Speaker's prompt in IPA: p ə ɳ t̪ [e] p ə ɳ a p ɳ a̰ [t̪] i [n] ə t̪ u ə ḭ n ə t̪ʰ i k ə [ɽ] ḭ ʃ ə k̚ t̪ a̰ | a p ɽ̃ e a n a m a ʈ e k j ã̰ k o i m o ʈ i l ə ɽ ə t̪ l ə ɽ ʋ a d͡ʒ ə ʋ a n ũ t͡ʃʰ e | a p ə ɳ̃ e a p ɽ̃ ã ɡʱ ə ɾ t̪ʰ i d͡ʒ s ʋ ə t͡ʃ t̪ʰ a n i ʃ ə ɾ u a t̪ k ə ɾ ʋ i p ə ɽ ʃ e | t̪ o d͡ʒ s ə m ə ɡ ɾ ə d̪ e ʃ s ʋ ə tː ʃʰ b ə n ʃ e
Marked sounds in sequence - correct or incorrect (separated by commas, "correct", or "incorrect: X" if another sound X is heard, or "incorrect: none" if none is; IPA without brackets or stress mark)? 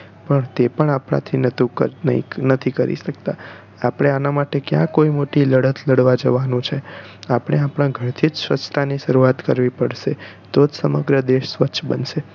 correct, incorrect: t̪ʰ, correct, incorrect: ɾ